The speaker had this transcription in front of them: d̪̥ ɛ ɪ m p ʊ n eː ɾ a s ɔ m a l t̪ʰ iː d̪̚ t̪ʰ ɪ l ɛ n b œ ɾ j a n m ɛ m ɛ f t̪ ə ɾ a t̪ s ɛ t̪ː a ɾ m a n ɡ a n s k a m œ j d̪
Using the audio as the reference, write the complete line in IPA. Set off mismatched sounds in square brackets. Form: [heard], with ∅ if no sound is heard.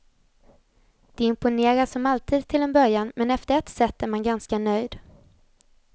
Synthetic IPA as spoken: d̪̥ ɛ ɪ m p ʊ n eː ɾ a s ɔ m a l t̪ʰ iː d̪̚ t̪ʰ ɪ l ɛ n b œ ɾ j a n m ɛ [n] ɛ f t̪ ə ɾ [ɛ] t̪ s ɛ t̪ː [æ] ɾ m a n ɡ a n s k a [n] œ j d̪